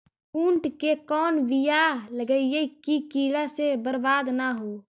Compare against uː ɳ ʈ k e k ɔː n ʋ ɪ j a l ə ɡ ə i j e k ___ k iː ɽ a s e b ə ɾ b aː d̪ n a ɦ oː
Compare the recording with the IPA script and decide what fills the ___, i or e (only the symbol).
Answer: i